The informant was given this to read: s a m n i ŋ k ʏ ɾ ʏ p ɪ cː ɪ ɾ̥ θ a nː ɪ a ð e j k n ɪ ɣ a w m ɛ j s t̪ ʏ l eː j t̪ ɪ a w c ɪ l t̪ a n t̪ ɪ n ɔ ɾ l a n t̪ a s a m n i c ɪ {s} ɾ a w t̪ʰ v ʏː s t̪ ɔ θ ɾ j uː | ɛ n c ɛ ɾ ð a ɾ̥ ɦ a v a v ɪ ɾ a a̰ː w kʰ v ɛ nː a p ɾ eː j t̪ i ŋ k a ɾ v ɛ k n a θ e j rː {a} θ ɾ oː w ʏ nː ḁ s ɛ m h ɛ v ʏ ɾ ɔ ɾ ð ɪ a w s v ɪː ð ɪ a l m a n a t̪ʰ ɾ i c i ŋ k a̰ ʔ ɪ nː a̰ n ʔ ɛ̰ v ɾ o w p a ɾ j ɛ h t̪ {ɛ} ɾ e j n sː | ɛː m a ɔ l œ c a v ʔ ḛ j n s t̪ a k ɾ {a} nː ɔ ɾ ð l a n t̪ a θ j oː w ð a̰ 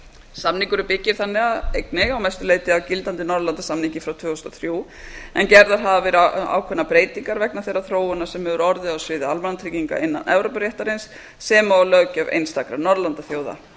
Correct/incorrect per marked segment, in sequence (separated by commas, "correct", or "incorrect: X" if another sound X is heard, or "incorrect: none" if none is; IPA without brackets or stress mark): incorrect: f, correct, incorrect: a, correct